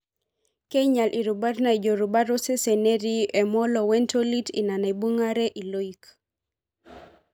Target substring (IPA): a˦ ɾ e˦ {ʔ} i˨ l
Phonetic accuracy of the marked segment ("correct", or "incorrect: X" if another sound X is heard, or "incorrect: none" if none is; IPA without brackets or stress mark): correct